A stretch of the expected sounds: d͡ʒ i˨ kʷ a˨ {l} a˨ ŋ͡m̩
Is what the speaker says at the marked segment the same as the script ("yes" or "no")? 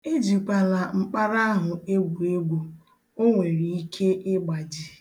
yes